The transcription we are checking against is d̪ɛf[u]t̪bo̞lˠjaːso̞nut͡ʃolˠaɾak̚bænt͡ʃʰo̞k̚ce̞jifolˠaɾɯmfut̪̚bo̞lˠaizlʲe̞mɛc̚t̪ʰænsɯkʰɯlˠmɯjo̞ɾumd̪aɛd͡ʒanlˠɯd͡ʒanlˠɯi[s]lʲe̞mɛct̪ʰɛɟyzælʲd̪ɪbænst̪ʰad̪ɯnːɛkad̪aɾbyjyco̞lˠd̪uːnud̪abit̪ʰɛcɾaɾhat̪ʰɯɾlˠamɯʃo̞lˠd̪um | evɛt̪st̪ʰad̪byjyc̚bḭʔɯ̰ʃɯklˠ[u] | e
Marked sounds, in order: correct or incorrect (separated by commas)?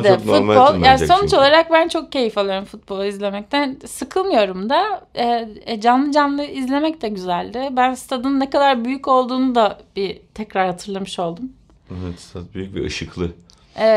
correct, incorrect, incorrect